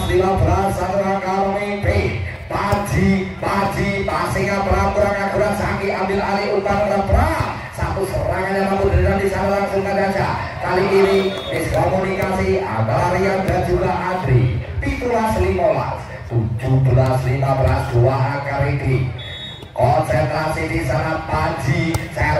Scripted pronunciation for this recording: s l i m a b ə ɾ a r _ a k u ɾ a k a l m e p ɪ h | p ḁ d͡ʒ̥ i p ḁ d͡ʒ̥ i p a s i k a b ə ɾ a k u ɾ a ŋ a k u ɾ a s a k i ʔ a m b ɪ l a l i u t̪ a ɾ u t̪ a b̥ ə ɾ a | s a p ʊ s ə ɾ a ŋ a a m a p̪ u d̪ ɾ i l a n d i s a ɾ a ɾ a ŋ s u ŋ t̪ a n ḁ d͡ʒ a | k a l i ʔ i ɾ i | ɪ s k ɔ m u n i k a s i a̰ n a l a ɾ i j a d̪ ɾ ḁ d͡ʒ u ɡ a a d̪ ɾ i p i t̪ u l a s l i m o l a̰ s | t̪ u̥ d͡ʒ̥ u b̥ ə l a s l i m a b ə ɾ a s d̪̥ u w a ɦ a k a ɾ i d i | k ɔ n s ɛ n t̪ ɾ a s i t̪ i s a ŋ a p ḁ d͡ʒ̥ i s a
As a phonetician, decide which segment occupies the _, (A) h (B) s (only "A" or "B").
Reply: B